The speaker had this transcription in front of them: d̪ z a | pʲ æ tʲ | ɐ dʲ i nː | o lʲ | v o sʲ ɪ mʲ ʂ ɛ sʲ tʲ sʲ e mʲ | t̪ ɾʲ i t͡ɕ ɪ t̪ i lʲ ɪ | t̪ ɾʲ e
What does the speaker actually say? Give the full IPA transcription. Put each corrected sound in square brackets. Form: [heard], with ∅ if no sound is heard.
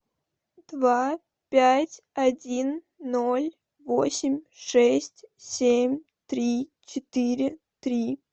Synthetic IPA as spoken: d̪ [v] a | pʲ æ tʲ | ɐ dʲ i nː | o lʲ | v o sʲ ɪ mʲ ʂ ɛ sʲ tʲ sʲ e mʲ | t̪ ɾʲ i t͡ɕ ɪ t̪ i [ɾʲ] ɪ | t̪ ɾʲ [i]

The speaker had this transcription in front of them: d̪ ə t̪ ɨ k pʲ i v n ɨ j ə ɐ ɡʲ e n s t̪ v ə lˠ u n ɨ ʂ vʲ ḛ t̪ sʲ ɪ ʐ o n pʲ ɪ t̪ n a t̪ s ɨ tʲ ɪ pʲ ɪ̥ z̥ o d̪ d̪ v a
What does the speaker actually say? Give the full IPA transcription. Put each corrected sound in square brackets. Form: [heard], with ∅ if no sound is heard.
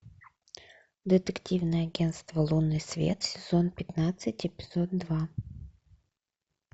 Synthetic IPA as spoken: d̪ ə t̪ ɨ k [tʲ] i v n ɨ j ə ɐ ɡʲ e n s t̪ v ə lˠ u n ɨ [s] vʲ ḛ t̪ sʲ ɪ [z] o n pʲ ɪ t̪ n a t̪ s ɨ tʲ ɪ pʲ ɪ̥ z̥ o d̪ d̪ v a

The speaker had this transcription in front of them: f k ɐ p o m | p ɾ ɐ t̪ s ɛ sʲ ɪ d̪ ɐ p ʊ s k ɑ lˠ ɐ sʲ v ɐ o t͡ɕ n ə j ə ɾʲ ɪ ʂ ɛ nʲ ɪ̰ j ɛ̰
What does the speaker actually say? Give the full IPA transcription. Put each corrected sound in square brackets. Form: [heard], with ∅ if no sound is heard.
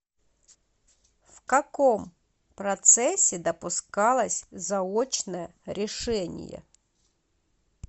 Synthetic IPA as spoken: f k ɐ [k] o m | p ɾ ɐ t̪ s ɛ sʲ ɪ d̪ ɐ p ʊ s k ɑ lˠ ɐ sʲ [z] ɐ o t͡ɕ n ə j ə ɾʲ ɪ ʂ ɛ nʲ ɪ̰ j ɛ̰

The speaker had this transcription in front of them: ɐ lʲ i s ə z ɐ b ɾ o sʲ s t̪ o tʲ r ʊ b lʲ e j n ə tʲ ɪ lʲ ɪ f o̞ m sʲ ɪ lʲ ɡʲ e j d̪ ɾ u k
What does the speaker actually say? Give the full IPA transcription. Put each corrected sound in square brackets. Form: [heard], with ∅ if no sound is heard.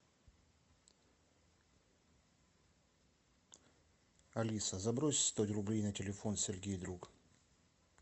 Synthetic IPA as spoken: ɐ lʲ i s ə z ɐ b ɾ o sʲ s t̪ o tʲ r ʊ b lʲ e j n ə tʲ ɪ lʲ ɪ f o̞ [n] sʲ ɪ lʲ ɡʲ e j d̪ ɾ u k

